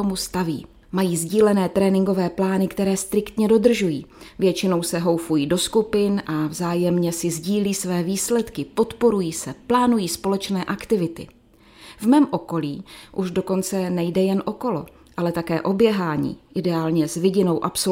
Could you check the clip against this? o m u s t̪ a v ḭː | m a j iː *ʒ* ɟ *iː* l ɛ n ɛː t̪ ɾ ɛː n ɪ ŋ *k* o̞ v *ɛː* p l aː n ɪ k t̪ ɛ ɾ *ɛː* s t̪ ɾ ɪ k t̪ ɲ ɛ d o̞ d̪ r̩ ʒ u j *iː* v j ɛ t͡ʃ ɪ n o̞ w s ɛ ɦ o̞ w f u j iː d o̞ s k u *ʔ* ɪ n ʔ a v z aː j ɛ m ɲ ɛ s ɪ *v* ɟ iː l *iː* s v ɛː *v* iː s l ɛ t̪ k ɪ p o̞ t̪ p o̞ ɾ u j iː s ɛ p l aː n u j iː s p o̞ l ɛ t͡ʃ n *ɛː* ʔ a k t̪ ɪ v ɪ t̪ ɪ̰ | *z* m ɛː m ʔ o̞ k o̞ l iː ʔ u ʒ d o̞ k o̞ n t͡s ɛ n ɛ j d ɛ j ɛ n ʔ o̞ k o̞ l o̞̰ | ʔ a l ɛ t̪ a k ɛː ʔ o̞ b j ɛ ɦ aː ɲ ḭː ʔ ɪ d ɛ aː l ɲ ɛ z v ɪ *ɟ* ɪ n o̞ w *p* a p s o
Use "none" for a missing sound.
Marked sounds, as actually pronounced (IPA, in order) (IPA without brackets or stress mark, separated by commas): z, iː, ɡ, ɛː, ɛː, iː, p, z, iː, v, ɛː, v, ɟ, ʔ